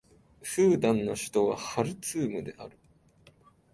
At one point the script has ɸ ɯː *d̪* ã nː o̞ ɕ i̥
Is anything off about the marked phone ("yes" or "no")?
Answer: no